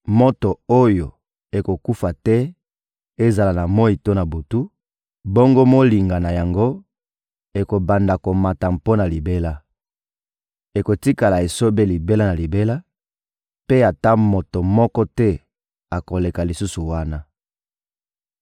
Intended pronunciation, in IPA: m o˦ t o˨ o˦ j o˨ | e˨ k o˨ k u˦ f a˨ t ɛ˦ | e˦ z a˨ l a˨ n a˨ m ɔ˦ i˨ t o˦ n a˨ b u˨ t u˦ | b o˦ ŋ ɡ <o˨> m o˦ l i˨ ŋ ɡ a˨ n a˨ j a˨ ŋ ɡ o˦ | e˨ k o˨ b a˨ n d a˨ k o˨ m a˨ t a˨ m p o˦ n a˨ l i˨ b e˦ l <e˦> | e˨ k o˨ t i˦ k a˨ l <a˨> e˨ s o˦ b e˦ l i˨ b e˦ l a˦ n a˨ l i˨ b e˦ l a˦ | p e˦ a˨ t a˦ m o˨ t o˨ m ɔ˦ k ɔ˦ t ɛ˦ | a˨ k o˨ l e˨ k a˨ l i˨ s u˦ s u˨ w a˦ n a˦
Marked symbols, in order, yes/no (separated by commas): no, no, yes